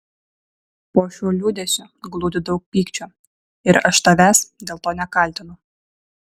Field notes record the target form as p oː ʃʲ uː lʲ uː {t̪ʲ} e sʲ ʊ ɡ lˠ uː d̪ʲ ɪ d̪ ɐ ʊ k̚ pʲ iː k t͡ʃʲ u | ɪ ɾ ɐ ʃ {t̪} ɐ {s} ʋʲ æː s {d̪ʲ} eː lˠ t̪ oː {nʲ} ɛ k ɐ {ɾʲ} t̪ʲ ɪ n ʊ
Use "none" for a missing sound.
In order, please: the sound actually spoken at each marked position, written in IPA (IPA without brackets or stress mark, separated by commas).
d̪ʲ, t̪, none, d̪ʲ, nʲ, lʲ